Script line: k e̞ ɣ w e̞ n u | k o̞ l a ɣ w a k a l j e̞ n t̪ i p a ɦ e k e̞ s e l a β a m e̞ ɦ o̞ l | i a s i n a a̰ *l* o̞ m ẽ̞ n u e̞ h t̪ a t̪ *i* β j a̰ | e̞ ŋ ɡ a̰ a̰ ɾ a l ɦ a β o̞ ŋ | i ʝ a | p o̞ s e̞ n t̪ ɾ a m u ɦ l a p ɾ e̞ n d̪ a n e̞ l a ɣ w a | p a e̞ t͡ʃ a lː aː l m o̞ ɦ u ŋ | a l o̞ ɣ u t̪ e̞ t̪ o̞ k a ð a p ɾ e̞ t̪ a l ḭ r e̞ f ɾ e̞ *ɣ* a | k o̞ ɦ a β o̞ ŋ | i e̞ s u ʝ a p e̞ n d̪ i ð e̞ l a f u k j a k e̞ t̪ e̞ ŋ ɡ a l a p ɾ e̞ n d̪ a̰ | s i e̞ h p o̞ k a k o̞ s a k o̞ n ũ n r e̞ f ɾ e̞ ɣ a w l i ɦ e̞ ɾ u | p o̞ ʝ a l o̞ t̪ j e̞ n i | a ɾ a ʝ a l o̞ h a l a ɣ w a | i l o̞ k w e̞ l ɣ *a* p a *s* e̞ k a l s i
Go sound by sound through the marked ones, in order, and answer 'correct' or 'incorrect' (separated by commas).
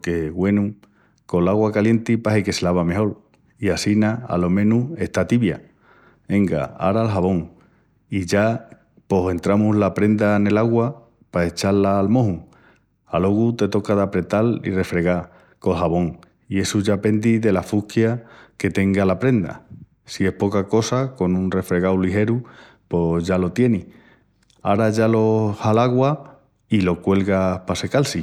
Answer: correct, correct, correct, correct, correct